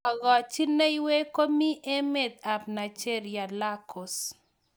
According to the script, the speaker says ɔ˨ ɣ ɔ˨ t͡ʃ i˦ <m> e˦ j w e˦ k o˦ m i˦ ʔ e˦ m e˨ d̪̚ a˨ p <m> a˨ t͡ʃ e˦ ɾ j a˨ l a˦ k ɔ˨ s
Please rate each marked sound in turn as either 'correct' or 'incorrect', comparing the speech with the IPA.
incorrect: n, incorrect: n

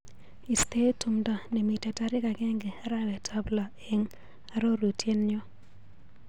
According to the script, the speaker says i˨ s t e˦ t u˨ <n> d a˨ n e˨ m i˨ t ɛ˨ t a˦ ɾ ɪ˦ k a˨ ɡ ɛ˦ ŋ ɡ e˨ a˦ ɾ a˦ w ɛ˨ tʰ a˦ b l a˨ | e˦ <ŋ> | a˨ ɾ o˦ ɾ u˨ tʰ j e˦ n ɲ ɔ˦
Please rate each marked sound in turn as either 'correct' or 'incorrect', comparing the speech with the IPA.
incorrect: m, correct

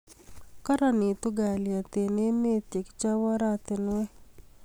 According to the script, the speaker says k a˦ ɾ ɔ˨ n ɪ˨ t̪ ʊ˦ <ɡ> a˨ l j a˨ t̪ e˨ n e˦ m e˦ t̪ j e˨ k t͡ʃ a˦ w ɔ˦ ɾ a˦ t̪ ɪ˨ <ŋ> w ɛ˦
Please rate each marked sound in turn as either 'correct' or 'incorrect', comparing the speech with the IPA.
correct, incorrect: n

